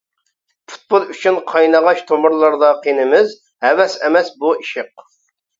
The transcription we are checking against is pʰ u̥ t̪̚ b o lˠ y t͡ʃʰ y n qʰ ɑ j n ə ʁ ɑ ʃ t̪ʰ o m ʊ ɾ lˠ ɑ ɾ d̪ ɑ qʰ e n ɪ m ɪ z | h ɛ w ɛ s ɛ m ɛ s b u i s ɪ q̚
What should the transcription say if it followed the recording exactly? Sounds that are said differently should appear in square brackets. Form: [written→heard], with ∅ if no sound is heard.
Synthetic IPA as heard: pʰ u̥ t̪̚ b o lˠ y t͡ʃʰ y n qʰ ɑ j n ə ʁ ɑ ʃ t̪ʰ o m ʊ ɾ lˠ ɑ ɾ d̪ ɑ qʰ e n ɪ m ɪ z | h ɛ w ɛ s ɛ m ɛ s b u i [s→ʃ] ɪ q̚